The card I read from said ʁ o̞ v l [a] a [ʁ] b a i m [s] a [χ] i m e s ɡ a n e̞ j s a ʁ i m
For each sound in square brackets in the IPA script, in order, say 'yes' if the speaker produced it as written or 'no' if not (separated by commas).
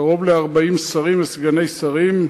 no, yes, yes, no